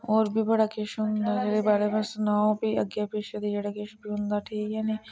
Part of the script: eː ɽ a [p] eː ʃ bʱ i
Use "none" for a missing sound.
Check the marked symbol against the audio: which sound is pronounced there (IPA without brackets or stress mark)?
k